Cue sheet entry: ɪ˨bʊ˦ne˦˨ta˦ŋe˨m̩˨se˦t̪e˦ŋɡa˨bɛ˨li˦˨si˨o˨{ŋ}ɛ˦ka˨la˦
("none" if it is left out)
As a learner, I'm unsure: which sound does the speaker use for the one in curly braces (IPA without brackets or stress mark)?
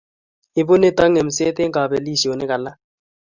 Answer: n